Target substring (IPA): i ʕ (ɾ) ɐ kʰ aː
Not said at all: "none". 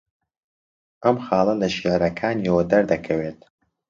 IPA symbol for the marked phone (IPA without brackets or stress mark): ɾ